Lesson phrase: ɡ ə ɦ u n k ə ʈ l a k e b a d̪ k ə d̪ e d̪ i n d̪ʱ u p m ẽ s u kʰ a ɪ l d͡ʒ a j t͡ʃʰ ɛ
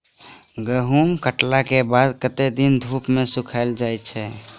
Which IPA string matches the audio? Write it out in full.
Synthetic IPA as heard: ɡ ə ɦ u m k ə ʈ l a k e b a d̪ k ə t̪ e d̪ i n d̪ʱ u p m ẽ s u kʰ a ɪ l d͡ʒ a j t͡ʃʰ ɛ